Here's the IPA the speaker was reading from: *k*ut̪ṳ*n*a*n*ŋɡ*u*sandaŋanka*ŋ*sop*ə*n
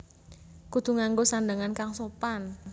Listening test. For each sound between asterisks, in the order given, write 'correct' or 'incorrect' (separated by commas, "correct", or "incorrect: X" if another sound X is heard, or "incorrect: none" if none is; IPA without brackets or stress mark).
correct, incorrect: ŋ, incorrect: none, incorrect: o, correct, incorrect: a